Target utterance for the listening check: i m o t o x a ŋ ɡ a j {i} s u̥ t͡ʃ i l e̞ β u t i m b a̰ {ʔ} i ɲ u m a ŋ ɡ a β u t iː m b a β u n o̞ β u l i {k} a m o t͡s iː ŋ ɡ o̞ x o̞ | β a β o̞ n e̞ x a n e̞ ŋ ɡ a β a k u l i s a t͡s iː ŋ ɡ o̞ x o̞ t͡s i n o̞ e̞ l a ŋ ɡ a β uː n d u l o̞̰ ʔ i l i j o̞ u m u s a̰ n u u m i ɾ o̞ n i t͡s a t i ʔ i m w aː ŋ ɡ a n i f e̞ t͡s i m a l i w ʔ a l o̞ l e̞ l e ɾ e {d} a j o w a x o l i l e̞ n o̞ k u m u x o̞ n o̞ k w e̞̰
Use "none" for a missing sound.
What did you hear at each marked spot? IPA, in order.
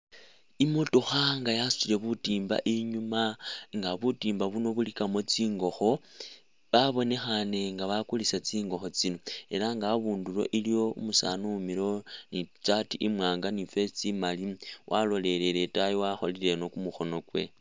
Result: a, ʔ, k, t

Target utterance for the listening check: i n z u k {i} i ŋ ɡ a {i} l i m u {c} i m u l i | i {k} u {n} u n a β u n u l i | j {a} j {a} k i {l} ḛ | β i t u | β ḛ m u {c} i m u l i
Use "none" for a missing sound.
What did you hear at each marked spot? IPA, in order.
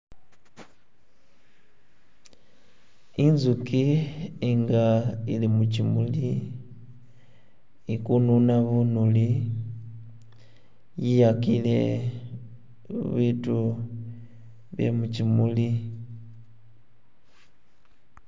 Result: i, i, c, k, n, i, a, l, c

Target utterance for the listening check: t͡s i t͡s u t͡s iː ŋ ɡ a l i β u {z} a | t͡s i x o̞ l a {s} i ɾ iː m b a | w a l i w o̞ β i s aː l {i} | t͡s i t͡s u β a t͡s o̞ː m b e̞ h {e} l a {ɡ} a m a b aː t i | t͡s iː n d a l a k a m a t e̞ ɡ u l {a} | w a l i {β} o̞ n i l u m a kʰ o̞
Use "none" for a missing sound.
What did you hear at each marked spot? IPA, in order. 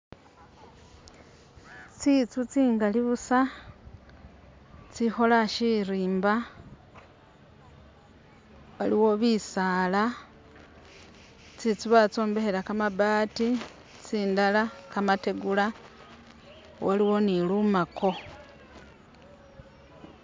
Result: s, ʃ, a, e, k, a, w

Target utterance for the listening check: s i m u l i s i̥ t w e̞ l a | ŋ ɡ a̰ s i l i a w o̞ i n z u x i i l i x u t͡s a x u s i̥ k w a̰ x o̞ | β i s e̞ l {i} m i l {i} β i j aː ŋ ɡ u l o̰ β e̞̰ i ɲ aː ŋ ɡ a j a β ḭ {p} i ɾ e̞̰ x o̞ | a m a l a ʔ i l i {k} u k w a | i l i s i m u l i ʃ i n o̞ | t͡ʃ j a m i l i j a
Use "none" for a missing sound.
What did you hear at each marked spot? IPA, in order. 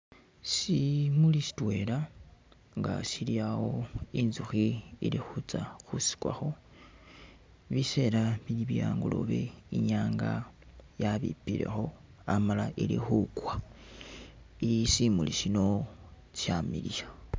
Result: a, i, p, x

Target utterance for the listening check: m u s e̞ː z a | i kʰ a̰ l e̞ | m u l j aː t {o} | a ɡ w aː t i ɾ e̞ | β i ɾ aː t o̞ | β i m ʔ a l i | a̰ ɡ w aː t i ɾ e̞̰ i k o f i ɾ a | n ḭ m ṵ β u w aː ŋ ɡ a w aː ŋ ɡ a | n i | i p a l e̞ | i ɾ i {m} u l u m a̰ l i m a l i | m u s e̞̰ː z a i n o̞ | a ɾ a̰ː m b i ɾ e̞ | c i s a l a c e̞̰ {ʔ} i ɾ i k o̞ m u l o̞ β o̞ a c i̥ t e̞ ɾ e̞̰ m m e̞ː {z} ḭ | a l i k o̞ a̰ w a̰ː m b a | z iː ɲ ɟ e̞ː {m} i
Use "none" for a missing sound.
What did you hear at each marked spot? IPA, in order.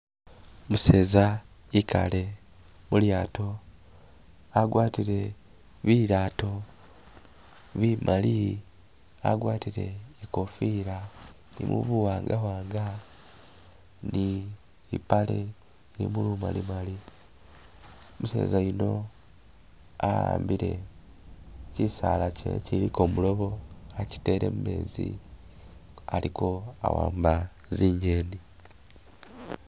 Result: o, m, c, z, n

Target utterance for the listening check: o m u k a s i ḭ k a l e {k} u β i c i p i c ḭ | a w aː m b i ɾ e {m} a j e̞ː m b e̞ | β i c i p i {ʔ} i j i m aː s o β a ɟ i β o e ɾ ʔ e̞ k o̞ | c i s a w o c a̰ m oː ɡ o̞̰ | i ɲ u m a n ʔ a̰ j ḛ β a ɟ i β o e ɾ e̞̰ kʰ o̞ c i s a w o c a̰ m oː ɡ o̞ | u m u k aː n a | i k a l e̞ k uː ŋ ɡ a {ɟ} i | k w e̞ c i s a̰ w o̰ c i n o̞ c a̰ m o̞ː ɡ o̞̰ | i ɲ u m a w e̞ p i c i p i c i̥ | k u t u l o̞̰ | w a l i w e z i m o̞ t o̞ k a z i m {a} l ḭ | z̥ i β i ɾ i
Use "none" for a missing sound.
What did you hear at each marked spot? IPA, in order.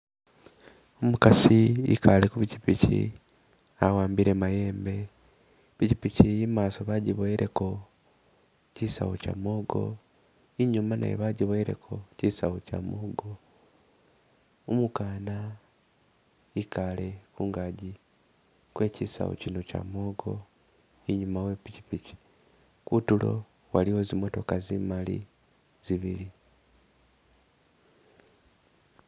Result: k, m, c, ɟ, a

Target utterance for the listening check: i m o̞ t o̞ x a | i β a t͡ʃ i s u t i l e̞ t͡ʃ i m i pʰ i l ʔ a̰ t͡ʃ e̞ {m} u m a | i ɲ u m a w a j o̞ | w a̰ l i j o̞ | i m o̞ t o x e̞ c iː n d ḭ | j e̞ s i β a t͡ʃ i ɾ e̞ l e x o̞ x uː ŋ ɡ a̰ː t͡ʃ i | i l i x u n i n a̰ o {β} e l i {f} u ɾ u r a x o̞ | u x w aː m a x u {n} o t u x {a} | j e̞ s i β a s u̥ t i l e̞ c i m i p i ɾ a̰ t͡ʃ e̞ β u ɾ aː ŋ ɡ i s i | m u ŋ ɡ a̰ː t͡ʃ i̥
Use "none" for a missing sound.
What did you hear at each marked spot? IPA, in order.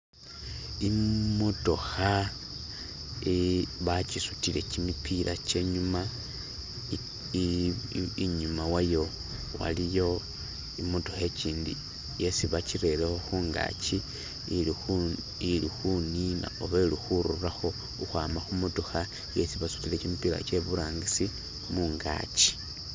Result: ɲ, β, x, m, a

